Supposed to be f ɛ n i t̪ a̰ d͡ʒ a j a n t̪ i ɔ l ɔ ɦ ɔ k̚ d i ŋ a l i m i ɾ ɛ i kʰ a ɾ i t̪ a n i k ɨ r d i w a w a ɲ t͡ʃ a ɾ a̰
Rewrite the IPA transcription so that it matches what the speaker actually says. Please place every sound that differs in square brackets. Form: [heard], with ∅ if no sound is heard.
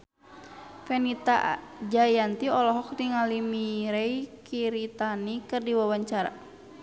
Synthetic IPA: f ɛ n i t̪ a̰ d͡ʒ a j a n t̪ i ɔ l ɔ ɦ ɔ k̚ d i ŋ a l i m i ɾ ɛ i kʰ [i] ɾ i t̪ a n i k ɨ r d i w a w a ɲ t͡ʃ a ɾ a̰